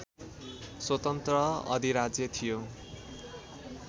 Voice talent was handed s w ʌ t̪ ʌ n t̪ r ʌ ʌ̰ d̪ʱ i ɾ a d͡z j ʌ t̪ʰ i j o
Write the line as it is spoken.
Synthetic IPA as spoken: s w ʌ t̪ ʌ n t̪ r ʌ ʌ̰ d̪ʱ i ɾ a d͡z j ʌ t̪ʰ i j o